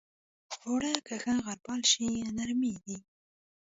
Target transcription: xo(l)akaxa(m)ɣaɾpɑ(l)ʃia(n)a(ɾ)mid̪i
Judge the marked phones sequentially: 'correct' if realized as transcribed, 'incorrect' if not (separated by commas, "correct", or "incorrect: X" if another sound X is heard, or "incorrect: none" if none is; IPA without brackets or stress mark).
incorrect: ɽ, incorrect: none, correct, correct, correct